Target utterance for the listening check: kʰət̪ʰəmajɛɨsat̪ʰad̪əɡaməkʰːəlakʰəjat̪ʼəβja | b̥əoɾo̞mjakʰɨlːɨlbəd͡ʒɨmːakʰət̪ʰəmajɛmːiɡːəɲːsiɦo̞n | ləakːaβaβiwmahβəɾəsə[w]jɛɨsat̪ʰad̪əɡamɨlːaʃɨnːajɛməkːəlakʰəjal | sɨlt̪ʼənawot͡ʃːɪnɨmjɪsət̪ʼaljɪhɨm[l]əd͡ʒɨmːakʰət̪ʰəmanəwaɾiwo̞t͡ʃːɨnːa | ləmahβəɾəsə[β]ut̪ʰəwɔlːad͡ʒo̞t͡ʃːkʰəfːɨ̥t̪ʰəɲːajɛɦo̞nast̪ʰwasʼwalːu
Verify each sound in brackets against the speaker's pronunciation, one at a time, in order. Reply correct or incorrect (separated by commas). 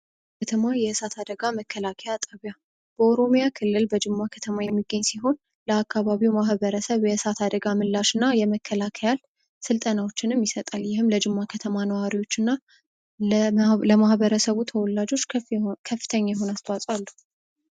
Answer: incorrect, correct, correct